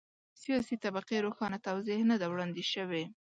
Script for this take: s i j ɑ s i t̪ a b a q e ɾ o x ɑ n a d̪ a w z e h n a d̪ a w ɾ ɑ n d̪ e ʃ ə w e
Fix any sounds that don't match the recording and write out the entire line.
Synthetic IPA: s i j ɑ s i t̪ a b a q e ɾ o x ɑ n a t̪ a w z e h n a d̪ a w ɽ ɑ n d̪ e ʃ ə w e